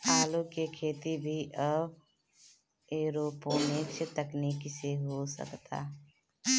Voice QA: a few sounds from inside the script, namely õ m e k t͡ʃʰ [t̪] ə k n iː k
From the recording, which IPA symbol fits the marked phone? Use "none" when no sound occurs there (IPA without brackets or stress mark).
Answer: t̪